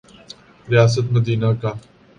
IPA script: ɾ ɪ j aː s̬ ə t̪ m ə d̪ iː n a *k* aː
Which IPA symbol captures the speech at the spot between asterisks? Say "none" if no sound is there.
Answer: k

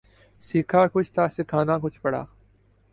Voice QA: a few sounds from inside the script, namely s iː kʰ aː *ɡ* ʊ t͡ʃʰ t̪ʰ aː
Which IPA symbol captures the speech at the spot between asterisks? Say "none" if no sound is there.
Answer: k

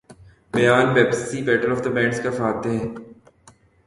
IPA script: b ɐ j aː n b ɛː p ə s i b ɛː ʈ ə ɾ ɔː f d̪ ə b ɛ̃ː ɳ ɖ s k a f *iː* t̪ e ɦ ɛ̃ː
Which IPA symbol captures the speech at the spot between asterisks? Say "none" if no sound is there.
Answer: aː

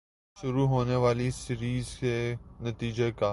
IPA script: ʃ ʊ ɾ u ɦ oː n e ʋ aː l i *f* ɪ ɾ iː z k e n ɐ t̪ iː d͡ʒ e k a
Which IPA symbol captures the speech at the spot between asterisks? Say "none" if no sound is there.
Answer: s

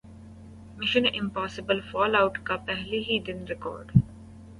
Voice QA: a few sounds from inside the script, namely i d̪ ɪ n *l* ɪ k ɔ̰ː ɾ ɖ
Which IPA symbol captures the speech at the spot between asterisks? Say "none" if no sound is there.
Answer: ɾ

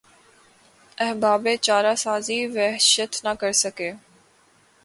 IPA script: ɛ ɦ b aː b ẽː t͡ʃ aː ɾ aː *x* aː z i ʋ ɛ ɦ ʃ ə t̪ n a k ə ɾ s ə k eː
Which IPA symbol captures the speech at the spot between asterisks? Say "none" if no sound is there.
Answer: s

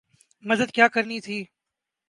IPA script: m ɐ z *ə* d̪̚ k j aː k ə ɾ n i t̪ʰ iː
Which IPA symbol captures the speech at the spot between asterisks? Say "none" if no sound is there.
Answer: ə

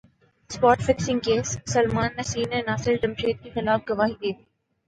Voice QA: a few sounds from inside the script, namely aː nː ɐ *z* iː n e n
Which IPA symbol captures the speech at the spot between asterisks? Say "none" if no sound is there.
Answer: s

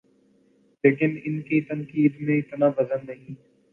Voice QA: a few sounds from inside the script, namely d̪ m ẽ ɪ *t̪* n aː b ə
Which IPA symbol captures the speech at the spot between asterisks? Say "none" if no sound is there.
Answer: t̪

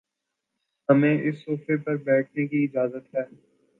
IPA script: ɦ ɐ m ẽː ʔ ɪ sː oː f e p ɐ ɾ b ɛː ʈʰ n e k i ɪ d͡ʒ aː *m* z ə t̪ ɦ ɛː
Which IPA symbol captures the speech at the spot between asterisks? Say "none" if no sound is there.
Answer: none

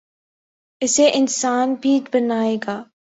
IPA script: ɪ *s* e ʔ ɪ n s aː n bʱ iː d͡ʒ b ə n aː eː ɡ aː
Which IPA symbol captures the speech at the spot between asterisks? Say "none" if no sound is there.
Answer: s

